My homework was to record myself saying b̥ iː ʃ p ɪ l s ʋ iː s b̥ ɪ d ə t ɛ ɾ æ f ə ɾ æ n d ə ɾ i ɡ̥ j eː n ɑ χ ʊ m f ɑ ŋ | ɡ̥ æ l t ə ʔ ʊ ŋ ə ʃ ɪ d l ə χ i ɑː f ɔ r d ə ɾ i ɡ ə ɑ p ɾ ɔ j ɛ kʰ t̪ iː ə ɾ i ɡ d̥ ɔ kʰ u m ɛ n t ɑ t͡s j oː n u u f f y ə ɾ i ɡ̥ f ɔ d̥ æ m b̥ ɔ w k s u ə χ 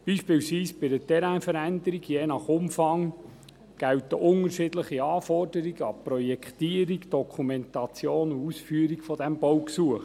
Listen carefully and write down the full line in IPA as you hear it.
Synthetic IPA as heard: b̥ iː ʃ p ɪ l s ʋ iː s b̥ ɪ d ə t ɛ ɾ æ f ə ɾ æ n d ə ɾ i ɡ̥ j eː n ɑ χ ʊ m f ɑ ŋ | ɡ̥ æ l t ə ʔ ʊ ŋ ə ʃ ɪ d l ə χ i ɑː f ɔ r d ə ɾ i ɡ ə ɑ p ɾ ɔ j ɛ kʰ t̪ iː ə ɾ i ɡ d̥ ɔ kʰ u m ɛ n t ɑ t͡s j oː n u u s f y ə ɾ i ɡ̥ f ɔ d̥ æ m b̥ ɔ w k s u ə χ